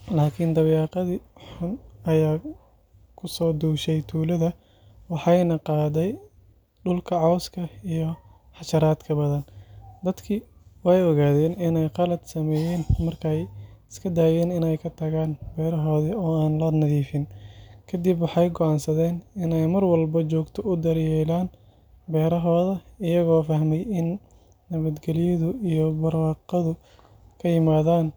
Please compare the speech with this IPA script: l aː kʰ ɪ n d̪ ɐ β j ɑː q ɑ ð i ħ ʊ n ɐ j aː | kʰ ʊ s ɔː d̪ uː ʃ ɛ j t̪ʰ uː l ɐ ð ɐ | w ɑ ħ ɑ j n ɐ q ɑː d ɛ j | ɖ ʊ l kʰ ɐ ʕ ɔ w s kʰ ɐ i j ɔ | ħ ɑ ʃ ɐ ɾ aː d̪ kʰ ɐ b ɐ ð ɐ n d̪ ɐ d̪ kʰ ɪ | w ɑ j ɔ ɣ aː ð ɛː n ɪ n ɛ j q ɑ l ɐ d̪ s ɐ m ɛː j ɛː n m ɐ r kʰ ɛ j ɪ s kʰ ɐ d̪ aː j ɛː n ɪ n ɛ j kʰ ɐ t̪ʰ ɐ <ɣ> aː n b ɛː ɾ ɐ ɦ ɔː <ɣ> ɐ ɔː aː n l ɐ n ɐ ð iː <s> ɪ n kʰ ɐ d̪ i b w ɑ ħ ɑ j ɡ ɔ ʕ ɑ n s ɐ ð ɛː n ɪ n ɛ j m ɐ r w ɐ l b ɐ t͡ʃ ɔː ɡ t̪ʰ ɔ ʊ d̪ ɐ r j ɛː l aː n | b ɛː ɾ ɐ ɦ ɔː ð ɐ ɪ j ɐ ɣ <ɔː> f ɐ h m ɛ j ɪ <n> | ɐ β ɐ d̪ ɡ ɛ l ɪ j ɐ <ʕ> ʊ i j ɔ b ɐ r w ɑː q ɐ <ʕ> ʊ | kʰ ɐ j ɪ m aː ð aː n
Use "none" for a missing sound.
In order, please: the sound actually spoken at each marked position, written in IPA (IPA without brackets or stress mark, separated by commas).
ɣ, ð, f, ɔː, nː, ð, ð